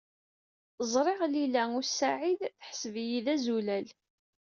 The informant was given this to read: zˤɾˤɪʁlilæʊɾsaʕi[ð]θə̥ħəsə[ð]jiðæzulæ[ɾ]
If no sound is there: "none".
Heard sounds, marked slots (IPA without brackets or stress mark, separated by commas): ð, v, l